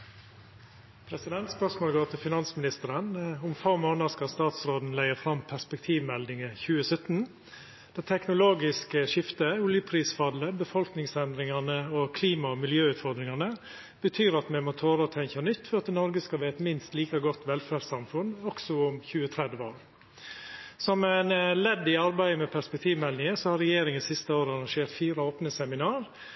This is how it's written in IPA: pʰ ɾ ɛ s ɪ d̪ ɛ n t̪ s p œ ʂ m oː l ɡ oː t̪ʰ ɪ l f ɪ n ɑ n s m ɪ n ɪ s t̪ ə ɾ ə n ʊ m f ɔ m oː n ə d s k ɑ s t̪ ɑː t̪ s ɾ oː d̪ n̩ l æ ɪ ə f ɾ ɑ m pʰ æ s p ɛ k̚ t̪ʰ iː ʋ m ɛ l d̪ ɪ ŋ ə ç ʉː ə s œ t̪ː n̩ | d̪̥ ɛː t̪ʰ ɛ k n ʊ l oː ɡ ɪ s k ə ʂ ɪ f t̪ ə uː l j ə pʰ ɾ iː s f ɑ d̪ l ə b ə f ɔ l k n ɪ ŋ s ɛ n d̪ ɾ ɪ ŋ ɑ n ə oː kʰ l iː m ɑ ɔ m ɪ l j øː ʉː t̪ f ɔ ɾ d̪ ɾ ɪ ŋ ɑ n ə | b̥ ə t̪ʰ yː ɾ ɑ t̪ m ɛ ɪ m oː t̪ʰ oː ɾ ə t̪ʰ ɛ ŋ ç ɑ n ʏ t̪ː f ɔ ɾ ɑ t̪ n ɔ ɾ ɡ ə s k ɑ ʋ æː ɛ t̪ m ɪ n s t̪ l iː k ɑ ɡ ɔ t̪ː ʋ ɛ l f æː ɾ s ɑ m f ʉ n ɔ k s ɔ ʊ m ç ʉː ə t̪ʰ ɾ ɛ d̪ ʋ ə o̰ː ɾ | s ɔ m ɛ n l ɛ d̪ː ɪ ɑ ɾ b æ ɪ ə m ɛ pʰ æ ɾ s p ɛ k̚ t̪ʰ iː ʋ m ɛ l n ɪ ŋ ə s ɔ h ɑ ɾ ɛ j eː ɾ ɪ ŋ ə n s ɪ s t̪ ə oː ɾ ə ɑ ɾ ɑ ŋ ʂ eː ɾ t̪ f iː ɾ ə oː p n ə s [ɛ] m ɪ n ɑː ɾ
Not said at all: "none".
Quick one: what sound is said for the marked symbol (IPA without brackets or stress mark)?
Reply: ɛ